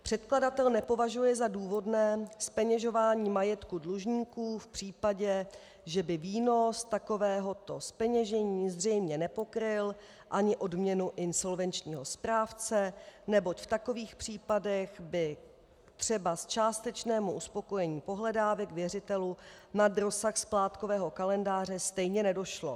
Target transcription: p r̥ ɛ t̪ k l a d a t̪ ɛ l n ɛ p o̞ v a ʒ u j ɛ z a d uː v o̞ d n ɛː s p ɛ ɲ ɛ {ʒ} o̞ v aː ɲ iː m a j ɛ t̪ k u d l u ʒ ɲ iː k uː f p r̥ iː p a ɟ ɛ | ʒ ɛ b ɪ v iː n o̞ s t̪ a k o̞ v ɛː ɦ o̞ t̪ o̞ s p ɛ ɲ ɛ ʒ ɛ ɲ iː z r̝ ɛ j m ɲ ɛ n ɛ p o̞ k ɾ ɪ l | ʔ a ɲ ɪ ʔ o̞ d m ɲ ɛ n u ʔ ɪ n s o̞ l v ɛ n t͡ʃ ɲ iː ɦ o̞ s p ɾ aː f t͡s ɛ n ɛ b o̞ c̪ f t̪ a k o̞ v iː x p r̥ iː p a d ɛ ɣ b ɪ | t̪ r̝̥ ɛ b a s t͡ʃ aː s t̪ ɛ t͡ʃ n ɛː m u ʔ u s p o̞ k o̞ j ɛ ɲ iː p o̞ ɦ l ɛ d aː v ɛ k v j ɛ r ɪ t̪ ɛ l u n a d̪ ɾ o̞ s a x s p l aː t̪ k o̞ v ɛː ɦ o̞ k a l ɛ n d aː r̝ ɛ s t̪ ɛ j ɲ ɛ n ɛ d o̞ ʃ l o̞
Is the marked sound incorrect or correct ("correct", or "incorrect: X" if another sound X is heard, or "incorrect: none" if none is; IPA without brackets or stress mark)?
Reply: correct